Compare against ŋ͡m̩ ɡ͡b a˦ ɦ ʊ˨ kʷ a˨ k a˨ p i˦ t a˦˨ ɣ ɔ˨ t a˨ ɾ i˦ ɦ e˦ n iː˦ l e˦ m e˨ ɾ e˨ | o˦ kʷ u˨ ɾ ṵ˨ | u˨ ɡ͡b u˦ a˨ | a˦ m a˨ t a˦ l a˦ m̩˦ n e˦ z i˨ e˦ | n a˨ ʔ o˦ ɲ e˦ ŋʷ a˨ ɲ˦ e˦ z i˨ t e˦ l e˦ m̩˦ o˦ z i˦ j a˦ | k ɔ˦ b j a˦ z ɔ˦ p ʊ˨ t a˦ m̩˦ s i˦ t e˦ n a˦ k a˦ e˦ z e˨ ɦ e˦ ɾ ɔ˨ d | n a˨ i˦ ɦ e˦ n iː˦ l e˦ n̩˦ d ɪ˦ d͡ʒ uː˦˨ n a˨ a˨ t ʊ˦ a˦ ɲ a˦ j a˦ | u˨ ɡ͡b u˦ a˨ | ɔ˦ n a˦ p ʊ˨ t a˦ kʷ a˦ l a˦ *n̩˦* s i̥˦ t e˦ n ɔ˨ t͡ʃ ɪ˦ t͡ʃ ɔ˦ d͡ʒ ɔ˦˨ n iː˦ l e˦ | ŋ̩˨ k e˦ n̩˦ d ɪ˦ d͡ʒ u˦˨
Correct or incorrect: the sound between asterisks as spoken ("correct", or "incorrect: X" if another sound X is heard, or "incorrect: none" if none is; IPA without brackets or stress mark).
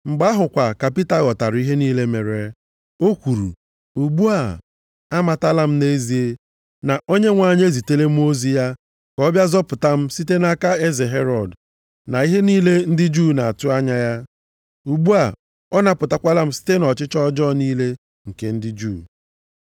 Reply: incorrect: m̩˦